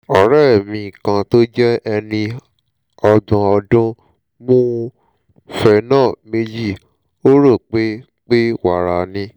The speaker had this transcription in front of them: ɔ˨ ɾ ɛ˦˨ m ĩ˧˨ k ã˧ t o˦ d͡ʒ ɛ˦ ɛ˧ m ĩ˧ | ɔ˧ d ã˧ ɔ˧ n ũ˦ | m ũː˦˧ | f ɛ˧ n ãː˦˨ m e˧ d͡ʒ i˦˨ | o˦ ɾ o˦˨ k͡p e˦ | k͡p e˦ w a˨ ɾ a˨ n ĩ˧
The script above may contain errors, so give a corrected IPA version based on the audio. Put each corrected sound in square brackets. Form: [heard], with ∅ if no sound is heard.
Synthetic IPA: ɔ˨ ɾ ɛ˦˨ m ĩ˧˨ k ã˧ t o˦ d͡ʒ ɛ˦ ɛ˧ [n] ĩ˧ | ɔ˧ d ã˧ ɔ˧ [d] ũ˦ | m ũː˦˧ | f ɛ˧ n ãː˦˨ m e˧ d͡ʒ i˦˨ | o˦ ɾ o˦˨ k͡p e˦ | k͡p e˦ w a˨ ɾ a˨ n ĩ˧